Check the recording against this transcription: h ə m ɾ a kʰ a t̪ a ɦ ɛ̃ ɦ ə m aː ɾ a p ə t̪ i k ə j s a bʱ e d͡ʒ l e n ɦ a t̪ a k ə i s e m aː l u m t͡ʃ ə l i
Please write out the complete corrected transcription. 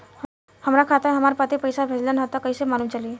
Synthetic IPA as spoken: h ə m ɾ a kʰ a t̪ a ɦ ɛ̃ ɦ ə m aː ɾ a p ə t̪ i p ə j s a bʱ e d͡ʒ l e n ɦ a t̪ a k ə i s e m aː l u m t͡ʃ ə l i